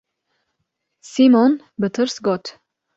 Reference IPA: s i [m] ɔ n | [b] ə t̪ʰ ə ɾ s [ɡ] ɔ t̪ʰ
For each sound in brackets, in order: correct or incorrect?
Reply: correct, correct, correct

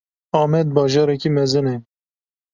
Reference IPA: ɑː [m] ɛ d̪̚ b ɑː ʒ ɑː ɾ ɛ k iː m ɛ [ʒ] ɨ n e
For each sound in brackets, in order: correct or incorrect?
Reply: correct, incorrect

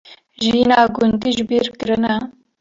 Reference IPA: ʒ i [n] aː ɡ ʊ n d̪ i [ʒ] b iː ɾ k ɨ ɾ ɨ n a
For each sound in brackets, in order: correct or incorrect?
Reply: correct, correct

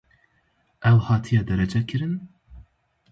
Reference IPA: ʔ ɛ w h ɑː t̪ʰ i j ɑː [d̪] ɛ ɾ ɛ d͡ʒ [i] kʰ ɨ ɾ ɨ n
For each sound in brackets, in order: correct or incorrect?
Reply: correct, incorrect

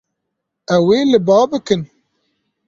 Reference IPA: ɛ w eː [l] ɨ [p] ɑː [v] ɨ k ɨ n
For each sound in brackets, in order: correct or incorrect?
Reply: correct, incorrect, incorrect

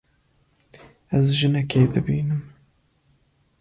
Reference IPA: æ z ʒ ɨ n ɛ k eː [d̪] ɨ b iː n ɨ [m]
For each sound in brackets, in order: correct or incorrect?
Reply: correct, correct

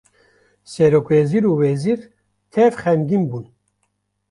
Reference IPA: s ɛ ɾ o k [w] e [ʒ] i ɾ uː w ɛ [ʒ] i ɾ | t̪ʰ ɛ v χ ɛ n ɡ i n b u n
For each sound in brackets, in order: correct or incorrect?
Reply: correct, incorrect, incorrect

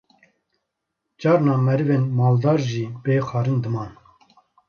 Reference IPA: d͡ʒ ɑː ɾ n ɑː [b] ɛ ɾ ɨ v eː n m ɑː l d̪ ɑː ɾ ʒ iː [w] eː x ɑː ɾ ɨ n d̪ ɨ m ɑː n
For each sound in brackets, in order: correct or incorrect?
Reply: incorrect, incorrect

